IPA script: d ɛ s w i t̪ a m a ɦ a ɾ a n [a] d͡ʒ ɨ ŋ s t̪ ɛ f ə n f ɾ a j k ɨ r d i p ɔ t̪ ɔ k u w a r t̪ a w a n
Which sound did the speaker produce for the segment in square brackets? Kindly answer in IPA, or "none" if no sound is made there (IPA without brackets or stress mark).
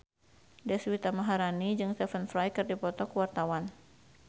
i